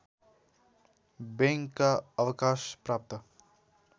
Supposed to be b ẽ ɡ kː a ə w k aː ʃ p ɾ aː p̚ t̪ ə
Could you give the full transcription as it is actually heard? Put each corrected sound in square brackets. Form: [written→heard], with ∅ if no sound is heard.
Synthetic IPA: b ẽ [ɡ→ŋ] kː a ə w k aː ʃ p ɾ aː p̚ t̪ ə